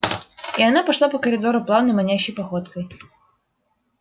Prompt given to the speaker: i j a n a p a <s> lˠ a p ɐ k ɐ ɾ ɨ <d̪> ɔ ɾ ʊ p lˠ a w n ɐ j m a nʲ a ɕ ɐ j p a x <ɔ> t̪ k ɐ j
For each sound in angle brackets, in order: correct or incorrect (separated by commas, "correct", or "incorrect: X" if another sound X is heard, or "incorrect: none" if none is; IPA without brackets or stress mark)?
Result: incorrect: ʂ, correct, correct